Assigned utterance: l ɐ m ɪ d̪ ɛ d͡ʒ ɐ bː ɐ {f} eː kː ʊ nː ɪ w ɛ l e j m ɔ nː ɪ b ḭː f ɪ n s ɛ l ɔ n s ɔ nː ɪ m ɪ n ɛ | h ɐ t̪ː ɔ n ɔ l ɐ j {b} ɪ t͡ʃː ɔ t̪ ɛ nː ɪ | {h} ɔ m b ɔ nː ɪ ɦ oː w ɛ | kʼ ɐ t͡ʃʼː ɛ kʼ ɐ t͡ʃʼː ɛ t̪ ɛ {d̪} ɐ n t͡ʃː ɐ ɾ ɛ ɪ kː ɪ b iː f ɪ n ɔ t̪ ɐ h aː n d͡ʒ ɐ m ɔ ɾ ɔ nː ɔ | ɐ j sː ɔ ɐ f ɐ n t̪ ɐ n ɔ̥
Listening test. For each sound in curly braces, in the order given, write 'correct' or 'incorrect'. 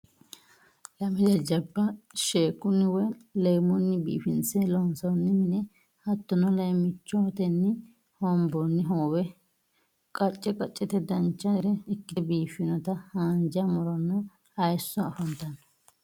incorrect: ʃ, incorrect: m, correct, correct

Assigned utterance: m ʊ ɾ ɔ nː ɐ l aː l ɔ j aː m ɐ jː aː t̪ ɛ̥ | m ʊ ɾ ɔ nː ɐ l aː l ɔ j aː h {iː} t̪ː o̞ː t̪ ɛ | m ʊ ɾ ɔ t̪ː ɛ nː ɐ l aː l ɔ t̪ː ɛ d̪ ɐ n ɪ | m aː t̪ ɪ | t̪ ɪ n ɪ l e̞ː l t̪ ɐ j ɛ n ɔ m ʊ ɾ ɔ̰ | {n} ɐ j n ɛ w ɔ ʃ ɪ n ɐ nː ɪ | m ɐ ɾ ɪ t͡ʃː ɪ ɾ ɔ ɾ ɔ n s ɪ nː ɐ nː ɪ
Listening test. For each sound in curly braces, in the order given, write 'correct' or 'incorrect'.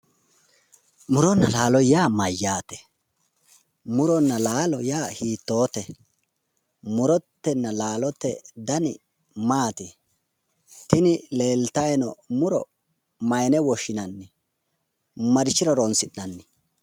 correct, incorrect: m

